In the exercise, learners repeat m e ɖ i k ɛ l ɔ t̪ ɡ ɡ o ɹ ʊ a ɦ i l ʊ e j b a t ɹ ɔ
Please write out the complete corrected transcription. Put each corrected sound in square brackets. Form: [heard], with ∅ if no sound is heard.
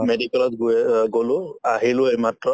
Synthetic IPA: m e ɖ i k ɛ l ɔ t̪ ɡ ɡ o [l] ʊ a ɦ i l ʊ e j [m] a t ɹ ɔ